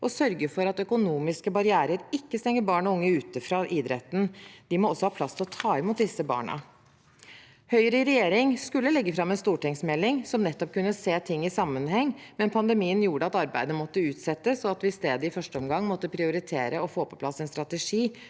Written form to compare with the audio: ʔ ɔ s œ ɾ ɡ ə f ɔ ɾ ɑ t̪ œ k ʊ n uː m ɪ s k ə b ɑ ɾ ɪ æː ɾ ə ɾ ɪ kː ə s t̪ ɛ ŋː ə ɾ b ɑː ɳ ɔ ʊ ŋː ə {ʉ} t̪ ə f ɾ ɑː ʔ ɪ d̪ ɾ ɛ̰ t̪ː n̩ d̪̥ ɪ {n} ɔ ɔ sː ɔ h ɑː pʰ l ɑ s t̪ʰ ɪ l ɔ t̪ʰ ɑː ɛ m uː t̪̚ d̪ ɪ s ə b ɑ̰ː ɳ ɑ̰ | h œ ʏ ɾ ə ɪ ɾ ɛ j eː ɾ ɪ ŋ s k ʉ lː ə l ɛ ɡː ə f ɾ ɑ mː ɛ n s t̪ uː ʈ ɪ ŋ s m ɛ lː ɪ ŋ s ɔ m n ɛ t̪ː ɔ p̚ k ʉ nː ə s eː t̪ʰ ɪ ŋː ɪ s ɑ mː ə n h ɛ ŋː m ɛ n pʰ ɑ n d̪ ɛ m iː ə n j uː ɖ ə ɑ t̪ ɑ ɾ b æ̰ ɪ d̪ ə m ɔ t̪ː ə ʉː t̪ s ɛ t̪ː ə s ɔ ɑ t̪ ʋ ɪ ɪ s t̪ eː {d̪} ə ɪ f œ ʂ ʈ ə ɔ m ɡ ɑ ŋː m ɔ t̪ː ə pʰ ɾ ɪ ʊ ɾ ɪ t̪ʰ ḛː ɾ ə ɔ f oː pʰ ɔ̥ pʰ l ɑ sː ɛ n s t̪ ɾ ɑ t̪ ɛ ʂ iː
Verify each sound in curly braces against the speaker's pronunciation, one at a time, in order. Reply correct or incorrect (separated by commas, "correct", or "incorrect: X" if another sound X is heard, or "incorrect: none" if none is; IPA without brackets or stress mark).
incorrect: ʉː, incorrect: m, correct